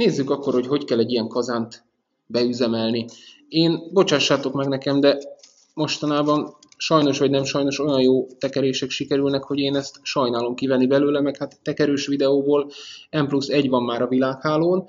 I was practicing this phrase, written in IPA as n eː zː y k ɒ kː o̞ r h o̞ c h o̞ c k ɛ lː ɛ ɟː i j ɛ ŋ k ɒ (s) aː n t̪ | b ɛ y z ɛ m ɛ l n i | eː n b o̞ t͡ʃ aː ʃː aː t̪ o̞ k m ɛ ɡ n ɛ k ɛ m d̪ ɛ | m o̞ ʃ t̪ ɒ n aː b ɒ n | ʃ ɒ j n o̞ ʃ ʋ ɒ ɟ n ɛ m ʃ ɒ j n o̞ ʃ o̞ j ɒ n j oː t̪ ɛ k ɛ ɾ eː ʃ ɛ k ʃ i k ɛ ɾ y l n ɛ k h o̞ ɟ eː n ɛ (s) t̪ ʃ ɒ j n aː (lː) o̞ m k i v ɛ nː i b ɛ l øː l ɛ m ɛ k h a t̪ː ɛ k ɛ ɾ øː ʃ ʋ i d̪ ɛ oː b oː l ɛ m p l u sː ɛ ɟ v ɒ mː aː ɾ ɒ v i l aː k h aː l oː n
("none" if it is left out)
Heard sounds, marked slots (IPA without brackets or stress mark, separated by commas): z, s, l